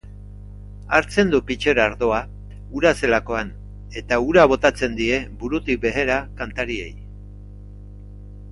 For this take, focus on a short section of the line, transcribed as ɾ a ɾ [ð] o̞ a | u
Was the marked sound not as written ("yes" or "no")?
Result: no